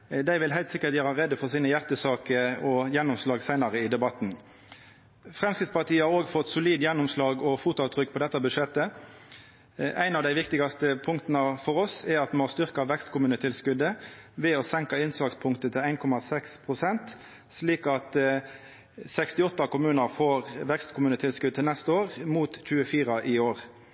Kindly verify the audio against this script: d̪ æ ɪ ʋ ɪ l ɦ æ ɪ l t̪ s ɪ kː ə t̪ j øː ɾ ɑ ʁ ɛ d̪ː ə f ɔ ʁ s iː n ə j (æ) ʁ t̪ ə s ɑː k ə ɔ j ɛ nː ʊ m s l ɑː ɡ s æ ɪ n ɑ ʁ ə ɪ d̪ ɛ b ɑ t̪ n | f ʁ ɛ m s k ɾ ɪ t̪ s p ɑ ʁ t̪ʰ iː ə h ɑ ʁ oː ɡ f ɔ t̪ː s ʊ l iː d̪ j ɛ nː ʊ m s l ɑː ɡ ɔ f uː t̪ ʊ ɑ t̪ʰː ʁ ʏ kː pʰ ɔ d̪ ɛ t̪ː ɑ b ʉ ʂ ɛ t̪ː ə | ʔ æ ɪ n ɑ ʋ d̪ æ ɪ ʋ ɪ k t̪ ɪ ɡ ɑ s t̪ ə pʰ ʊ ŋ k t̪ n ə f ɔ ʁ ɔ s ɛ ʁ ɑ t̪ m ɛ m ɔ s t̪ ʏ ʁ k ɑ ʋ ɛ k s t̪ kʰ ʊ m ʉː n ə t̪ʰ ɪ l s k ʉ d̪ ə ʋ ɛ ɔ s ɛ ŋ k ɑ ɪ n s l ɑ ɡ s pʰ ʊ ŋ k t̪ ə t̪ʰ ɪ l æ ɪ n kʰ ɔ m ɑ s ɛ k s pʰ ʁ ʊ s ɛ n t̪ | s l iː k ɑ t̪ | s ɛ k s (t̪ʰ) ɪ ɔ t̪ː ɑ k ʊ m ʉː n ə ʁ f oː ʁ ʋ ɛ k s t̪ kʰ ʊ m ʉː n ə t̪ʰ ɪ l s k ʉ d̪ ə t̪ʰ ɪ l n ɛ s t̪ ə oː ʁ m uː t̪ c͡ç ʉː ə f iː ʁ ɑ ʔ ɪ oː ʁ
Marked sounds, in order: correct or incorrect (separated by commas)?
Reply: correct, incorrect